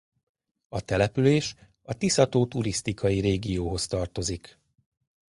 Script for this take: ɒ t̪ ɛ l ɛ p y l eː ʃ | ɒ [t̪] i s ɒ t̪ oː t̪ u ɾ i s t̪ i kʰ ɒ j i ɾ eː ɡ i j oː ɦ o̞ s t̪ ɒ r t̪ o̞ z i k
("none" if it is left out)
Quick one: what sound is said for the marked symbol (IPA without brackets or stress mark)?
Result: t̪